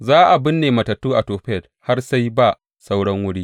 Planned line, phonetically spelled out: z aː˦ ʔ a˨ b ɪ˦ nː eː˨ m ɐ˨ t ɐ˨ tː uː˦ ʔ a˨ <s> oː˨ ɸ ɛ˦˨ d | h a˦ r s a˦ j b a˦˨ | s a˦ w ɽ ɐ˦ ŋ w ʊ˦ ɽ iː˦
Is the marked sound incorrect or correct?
incorrect